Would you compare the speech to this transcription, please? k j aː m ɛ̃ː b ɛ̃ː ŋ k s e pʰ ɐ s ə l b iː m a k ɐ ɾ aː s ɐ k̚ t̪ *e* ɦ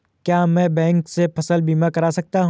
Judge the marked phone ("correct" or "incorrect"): incorrect